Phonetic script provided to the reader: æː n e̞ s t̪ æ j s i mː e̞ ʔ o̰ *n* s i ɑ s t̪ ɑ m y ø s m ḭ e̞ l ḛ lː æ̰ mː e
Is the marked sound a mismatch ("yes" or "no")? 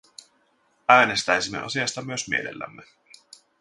yes